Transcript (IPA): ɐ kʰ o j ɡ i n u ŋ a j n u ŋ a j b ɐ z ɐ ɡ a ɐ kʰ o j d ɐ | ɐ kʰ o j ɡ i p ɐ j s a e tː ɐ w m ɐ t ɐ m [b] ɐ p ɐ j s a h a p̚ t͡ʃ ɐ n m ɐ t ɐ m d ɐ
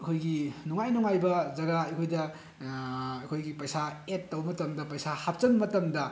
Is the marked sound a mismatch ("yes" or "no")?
yes